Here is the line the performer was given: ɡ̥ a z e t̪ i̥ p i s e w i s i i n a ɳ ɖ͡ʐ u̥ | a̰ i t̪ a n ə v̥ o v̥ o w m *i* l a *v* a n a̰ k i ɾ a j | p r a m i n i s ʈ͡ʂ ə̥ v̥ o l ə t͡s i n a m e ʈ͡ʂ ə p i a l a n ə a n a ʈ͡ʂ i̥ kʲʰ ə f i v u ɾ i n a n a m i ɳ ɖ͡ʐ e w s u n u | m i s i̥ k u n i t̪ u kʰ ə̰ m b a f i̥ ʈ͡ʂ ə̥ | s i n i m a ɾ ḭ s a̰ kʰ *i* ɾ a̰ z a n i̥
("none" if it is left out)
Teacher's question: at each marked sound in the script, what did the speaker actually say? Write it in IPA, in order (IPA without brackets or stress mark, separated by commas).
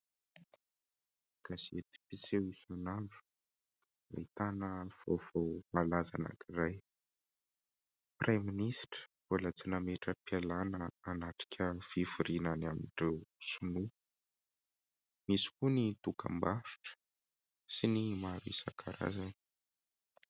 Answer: a, z, a